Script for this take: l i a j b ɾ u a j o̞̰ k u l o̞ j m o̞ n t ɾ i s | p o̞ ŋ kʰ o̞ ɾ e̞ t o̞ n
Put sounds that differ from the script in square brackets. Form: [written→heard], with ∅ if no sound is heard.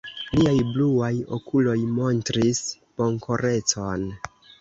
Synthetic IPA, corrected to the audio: l i a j b [ɾ→l] u a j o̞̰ k u l o̞ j m o̞ n t ɾ i s | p o̞ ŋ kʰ o̞ ɾ e̞ [t→t͡s] o̞ n